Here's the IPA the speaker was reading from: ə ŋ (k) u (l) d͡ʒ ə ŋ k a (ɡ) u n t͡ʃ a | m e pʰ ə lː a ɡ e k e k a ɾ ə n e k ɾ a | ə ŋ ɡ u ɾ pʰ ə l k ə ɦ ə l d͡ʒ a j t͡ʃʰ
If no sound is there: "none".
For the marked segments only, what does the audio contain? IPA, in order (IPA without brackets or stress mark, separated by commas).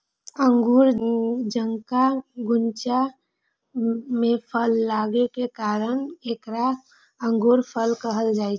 ɡ, ɾ, ɡ